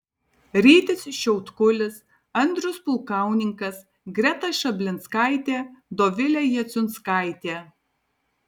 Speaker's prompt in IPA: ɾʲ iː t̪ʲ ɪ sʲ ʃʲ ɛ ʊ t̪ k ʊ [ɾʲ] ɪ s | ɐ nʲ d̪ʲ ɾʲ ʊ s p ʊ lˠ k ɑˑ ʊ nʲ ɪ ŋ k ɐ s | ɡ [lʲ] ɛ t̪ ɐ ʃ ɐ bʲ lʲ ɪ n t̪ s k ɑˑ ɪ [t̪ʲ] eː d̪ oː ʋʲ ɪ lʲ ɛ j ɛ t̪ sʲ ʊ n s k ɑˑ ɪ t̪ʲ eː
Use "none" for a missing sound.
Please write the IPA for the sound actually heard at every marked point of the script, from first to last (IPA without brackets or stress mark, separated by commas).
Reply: lʲ, ɾʲ, t̪ʲ